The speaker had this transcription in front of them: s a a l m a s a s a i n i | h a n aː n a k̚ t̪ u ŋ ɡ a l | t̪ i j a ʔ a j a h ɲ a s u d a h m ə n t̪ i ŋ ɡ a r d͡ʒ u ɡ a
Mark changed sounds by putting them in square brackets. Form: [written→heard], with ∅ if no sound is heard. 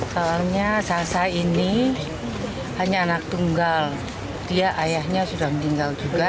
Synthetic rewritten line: s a a l [m→ɲ] a s a s a i n i | h a [n→ɲ] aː n a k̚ t̪ u ŋ ɡ a l | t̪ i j a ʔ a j a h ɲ a s u d a h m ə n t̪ i ŋ ɡ a [r→l] d͡ʒ u ɡ a